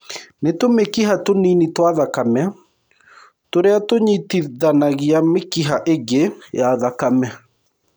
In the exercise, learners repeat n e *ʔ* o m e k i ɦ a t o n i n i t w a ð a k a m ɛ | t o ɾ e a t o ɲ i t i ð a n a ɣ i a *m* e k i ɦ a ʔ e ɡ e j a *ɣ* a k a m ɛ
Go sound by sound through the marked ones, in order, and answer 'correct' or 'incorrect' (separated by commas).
incorrect, correct, incorrect